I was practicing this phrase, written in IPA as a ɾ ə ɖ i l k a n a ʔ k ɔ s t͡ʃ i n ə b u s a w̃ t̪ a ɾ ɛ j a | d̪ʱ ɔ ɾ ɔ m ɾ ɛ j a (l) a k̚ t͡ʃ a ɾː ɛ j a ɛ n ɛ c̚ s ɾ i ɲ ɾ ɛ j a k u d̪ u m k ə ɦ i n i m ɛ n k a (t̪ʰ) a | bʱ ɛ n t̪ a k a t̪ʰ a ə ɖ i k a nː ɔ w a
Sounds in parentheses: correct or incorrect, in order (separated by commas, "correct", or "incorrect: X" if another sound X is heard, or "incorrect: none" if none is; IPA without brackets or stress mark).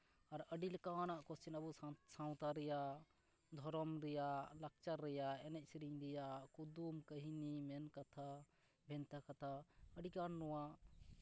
correct, correct